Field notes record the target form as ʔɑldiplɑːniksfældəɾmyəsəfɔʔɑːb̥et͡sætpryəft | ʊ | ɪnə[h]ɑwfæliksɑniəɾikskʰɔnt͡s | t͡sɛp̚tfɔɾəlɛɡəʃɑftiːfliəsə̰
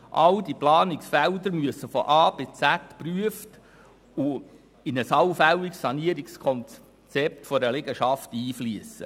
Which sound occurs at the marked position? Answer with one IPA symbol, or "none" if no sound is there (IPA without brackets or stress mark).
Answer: s